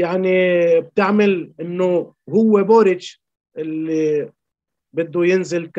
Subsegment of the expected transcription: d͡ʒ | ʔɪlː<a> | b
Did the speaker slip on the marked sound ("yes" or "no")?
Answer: yes